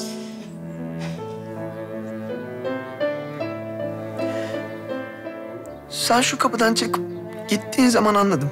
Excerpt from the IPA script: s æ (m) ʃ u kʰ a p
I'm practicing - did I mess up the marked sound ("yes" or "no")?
yes